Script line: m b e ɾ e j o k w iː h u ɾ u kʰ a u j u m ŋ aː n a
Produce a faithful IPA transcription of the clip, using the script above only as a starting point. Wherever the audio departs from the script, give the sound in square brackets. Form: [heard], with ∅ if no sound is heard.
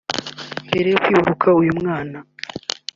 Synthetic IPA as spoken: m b e ɾ e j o k w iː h u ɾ u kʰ a u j u m ŋ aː n a